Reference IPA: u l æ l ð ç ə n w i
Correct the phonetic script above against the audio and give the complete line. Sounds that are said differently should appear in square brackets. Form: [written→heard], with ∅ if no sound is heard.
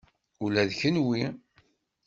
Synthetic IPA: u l æ [l→∅] ð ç ə n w i